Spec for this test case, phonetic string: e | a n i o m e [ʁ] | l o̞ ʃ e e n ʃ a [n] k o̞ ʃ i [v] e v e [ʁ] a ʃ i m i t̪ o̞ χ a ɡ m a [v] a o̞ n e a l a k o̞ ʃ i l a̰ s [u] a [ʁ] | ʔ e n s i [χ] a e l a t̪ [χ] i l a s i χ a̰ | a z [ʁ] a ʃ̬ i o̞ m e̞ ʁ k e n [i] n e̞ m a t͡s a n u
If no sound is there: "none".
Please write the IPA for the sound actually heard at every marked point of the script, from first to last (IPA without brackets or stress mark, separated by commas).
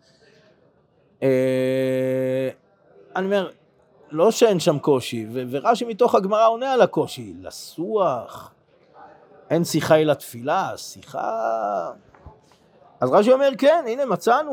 ʁ, m, v, ʁ, ʁ, u, χ, χ, f, ʁ, i